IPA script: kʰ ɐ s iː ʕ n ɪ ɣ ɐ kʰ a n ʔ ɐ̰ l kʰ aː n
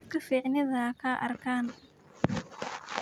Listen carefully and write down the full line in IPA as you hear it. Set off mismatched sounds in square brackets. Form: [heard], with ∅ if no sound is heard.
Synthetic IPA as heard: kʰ ɐ [f] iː ʕ n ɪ [ð] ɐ kʰ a [∅] ʔ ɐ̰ [r] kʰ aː n